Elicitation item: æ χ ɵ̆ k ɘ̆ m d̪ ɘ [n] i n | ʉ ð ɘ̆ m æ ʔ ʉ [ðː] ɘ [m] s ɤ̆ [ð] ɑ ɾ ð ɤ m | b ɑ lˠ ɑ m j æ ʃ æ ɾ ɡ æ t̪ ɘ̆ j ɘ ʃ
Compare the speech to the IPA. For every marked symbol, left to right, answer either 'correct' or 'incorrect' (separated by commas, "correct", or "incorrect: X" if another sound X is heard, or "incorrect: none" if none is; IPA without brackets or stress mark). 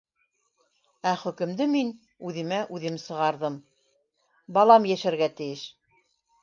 incorrect: m, incorrect: ð, correct, incorrect: ʁ